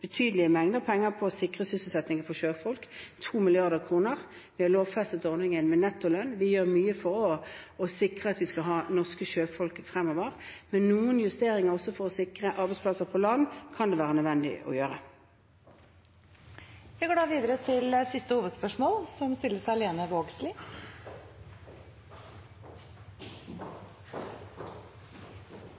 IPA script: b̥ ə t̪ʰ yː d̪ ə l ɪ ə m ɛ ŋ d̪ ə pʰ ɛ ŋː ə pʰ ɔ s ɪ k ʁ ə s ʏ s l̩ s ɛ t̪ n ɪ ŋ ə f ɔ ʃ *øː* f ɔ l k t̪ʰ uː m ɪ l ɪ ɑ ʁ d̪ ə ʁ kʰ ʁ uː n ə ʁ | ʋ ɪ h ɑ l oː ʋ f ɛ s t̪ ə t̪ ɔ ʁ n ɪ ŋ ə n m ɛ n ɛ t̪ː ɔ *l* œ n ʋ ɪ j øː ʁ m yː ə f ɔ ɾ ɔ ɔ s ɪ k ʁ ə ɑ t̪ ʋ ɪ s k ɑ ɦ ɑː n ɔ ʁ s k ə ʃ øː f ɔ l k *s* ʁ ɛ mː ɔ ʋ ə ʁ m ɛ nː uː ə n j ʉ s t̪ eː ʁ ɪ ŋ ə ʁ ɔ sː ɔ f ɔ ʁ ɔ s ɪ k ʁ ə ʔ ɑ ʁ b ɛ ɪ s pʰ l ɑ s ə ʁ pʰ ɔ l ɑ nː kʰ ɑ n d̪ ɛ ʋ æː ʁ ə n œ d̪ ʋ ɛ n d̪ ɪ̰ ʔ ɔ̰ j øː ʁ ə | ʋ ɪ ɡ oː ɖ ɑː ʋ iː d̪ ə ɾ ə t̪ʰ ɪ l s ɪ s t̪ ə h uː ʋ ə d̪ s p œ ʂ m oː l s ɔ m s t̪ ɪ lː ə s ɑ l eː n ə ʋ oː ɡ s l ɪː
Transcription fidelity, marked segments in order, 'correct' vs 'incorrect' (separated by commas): correct, correct, incorrect